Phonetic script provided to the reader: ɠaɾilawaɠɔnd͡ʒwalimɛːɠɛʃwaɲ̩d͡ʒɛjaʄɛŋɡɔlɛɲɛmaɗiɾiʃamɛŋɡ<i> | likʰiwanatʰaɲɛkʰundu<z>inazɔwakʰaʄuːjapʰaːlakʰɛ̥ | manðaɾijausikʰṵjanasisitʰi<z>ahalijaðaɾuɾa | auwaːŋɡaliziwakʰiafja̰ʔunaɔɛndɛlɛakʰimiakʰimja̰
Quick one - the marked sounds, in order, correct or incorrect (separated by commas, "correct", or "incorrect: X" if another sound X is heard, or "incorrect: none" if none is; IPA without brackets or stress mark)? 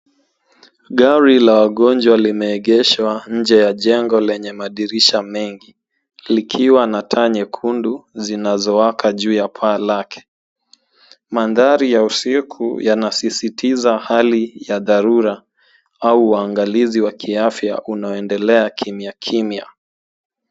correct, correct, correct